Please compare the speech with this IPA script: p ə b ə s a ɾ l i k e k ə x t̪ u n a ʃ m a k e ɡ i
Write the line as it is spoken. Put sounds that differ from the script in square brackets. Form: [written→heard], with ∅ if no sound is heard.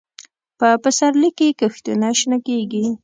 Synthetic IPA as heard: p ə [b→p] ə s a ɾ l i k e k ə x t̪ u n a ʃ [m→n] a k e ɡ i